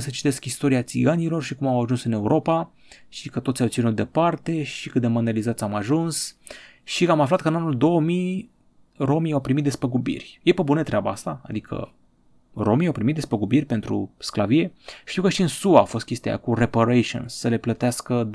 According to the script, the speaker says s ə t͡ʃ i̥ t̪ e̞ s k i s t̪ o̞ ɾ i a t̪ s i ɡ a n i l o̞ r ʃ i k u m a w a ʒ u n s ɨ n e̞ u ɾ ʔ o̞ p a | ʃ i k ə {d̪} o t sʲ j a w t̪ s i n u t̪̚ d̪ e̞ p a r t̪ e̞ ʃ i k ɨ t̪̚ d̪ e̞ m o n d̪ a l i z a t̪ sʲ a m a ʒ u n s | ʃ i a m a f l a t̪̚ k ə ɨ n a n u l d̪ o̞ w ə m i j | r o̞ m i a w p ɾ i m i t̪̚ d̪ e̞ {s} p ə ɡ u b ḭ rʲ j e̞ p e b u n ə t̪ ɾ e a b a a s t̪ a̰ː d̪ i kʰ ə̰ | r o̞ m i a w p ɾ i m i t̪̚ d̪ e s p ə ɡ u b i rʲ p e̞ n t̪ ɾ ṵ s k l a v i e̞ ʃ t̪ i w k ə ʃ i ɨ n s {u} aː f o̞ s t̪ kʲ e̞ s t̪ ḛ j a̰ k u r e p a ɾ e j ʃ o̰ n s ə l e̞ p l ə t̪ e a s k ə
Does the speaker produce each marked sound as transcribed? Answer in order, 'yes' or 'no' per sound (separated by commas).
no, yes, yes